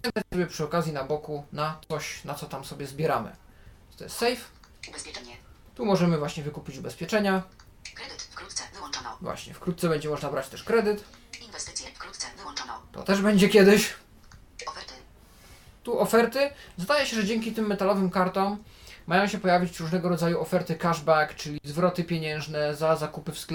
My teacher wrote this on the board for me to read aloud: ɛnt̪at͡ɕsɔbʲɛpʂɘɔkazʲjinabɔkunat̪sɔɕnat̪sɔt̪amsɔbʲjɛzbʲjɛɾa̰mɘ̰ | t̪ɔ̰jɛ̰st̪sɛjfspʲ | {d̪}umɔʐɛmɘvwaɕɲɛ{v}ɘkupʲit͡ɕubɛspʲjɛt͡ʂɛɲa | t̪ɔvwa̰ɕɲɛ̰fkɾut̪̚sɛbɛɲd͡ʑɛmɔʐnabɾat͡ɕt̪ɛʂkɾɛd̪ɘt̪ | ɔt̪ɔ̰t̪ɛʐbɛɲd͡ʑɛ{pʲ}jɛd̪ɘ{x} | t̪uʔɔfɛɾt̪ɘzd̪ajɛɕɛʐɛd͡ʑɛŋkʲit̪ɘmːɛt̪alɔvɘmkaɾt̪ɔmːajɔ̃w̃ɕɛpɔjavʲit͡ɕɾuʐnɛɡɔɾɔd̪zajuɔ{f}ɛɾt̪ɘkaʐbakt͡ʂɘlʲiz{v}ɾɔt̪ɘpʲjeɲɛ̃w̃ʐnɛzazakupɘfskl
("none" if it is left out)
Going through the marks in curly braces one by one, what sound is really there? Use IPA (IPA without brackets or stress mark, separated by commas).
t̪, v, kʲ, ɕ, f, v